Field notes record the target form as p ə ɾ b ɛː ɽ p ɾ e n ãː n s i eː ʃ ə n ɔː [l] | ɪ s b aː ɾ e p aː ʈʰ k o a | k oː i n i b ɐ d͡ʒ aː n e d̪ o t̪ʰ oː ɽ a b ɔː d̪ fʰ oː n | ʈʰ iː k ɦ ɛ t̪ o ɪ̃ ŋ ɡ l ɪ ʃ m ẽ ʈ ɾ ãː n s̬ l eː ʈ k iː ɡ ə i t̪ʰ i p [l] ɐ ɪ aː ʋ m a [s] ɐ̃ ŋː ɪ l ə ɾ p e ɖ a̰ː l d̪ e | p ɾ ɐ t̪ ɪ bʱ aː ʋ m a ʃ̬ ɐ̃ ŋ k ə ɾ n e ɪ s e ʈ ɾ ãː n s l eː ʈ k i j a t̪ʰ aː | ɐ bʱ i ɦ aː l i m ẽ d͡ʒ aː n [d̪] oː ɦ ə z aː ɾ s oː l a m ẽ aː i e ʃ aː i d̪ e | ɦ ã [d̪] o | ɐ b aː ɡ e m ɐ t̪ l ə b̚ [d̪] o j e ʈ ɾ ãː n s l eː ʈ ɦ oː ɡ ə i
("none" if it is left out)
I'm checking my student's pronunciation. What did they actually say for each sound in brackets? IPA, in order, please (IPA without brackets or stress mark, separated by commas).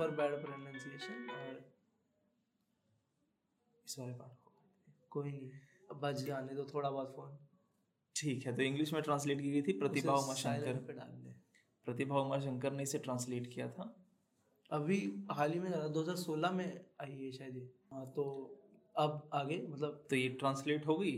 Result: ɾ, ɾ, ʃ, d̪, t̪, t̪